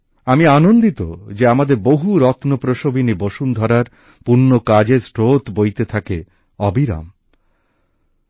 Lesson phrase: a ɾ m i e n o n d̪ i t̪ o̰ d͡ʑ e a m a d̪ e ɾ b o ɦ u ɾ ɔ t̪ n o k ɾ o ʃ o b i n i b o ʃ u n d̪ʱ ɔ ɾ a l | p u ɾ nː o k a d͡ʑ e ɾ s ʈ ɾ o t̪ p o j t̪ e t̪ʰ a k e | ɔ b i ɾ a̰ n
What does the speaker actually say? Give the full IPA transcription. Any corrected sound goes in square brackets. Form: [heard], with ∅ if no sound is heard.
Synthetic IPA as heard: a [∅] m i [a] n o n d̪ i t̪ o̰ d͡ʑ e a m a d̪ e ɾ b o ɦ u ɾ ɔ t̪ n o [p] ɾ o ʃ o b i n i b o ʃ u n d̪ʱ ɔ ɾ a [ɾ] | p u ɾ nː o k a d͡ʑ e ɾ s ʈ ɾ o t̪ [b] o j t̪ e t̪ʰ a k e | ɔ b i ɾ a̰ [m]